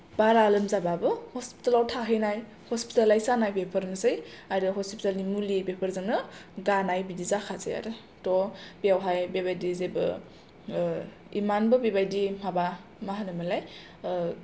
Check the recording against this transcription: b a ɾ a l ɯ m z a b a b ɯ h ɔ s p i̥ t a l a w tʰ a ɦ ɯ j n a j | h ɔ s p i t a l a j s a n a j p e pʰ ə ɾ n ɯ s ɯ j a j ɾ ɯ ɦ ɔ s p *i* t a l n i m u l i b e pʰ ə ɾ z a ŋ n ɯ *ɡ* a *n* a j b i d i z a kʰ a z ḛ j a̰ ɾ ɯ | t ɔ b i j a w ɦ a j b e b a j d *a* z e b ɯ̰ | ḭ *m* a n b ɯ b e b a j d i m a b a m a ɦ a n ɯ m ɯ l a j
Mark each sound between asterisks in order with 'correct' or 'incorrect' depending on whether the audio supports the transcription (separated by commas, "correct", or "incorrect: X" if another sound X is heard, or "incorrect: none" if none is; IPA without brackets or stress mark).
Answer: correct, correct, correct, incorrect: i, correct